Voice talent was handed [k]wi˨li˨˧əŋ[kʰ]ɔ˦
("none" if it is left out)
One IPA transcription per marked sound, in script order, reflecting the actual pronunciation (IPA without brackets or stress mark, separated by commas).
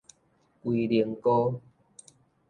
k, k